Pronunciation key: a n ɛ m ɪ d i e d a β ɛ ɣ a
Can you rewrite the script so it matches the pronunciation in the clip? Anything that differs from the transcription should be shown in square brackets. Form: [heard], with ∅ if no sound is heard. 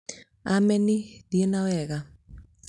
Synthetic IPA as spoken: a [m] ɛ [n] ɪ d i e [n] a [w] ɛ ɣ a